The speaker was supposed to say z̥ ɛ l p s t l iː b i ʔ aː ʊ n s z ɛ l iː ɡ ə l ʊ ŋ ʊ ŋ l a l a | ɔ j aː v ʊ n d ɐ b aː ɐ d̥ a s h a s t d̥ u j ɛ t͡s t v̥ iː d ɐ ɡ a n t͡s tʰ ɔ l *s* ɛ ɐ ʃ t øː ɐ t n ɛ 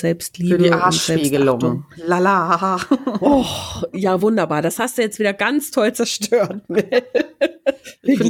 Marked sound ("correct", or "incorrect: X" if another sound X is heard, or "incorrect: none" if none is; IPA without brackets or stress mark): incorrect: t͡s